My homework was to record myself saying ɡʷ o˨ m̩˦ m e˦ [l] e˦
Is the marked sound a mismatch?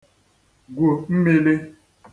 no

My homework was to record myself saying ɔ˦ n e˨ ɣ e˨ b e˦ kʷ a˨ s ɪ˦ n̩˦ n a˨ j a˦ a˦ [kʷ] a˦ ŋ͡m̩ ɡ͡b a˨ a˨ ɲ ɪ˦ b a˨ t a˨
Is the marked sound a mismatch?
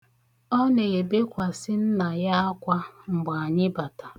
no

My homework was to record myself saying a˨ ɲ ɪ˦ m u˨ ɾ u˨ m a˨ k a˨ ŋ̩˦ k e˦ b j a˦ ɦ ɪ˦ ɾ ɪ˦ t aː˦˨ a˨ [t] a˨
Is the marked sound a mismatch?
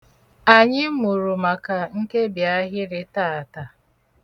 no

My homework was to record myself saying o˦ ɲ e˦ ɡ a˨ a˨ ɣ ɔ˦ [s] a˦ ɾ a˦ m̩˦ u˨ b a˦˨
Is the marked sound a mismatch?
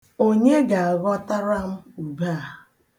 yes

